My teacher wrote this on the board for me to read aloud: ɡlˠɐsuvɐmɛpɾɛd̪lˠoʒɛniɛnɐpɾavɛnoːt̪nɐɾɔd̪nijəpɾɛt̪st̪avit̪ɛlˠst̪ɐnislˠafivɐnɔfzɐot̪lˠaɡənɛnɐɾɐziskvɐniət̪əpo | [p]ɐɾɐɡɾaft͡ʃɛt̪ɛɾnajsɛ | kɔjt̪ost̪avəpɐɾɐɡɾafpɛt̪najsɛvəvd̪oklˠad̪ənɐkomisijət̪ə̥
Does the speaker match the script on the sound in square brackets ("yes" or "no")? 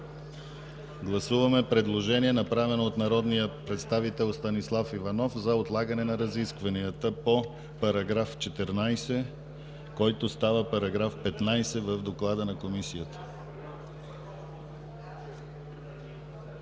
yes